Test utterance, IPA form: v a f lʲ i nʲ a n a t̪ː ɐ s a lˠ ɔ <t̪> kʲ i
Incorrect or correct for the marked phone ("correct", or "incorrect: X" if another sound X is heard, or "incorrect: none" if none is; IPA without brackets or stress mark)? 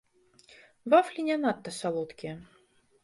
correct